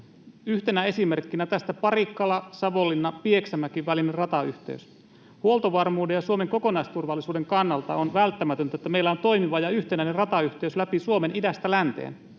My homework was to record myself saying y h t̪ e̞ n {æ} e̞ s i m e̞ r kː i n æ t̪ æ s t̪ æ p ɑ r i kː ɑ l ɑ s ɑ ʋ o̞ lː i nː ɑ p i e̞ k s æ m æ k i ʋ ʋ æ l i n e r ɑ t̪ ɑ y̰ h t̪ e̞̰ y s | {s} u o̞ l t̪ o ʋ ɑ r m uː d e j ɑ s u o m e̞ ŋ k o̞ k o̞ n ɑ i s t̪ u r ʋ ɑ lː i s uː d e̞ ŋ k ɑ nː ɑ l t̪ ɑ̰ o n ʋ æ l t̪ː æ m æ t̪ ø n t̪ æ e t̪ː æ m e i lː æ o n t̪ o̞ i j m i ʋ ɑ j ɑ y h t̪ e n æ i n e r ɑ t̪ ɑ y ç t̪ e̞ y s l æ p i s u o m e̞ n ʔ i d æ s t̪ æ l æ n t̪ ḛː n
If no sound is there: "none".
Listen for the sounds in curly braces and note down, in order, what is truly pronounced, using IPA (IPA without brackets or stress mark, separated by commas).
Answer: æ, h